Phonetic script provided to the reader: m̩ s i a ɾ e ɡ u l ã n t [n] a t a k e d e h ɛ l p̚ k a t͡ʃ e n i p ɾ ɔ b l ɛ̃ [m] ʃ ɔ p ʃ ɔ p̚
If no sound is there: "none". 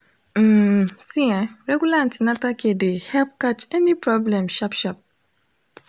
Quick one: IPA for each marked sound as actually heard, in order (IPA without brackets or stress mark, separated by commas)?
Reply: n, m